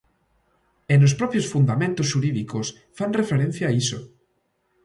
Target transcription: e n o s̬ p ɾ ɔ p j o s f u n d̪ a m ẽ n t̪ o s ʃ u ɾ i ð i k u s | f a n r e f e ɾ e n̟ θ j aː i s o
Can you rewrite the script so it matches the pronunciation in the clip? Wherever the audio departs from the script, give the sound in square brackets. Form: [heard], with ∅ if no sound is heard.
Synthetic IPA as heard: e n o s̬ p ɾ ɔ p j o s f u n d̪ a m ẽ n t̪ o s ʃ u ɾ i ð i k [o] s | f a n r e f e ɾ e n̟ θ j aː i s o